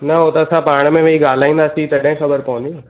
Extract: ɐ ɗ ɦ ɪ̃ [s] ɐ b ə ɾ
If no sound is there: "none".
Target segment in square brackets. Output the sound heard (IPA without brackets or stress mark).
x